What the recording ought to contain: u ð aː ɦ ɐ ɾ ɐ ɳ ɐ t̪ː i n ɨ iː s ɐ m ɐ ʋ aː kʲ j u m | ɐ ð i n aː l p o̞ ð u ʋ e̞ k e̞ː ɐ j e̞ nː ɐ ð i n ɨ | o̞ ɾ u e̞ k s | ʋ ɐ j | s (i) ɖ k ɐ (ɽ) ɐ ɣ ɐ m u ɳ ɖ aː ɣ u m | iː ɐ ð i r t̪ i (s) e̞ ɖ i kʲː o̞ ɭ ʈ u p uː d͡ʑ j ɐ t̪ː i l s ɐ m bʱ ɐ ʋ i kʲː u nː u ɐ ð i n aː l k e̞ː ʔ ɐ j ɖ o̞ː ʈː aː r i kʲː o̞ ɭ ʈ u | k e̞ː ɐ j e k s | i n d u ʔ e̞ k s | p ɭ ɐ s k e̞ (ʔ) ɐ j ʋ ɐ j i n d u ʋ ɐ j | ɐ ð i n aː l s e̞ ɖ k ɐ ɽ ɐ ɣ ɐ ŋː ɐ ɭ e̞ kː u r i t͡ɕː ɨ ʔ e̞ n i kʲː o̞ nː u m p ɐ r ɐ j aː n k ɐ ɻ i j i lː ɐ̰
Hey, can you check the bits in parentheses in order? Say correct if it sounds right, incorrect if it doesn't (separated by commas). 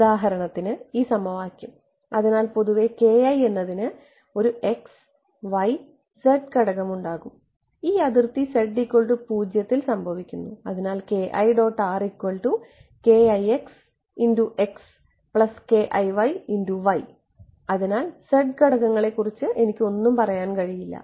incorrect, correct, correct, correct